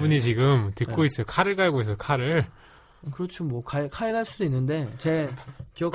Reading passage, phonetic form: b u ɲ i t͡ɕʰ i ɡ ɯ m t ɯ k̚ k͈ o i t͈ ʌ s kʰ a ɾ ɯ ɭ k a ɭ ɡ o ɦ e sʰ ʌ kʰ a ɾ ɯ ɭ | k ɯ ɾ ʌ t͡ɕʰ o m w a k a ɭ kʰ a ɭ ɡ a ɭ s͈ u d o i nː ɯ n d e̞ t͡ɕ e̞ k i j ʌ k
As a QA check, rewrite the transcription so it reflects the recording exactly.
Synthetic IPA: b u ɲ i t͡ɕ i ɡ ɯ m t ɯ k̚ k͈ o i s͈ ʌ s kʰ a ɾ ɯ ɭ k a ɭ ɡ o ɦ e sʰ ʌ kʰ a ɾ ɯ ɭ | k ɯ ɾ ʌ t͡ɕʰ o m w ʌ k a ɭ kʰ a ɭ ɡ a ɭ s͈ u d o i nː ɯ n d e̞ t͡ɕ e̞ k i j ʌ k